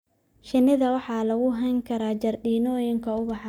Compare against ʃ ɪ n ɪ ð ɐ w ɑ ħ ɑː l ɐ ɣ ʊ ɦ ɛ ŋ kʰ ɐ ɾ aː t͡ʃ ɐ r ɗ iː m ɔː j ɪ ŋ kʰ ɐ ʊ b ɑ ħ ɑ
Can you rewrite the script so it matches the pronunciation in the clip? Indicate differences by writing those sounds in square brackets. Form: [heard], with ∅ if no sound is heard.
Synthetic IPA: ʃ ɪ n ɪ ð ɐ w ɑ ħ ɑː l ɐ ɣ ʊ ɦ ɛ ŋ kʰ ɐ ɾ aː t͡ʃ ɐ r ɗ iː [n] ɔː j ɪ ŋ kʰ ɐ ʊ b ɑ ħ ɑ